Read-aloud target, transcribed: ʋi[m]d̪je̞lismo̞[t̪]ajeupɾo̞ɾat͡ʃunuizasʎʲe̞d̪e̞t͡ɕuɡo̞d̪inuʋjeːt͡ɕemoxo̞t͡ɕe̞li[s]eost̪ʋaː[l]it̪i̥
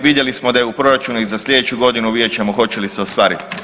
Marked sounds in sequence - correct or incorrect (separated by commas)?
incorrect, incorrect, correct, incorrect